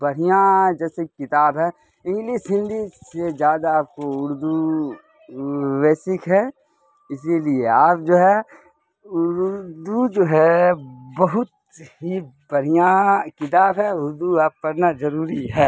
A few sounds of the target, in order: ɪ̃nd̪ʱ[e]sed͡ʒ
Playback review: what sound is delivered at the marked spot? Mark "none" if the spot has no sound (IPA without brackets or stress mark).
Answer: i